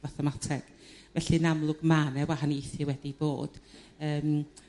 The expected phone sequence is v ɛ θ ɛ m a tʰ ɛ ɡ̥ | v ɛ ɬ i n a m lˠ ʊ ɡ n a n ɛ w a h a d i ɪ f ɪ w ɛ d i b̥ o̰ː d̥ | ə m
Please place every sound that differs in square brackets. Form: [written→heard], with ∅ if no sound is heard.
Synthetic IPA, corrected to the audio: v [ɛ→a] θ ɛ m a tʰ ɛ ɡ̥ | v ɛ ɬ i n a m lˠ ʊ ɡ [n→m] a n ɛ w a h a [d→n] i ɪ [f→θ] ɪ w ɛ d i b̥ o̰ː d̥ | [ə→əː] m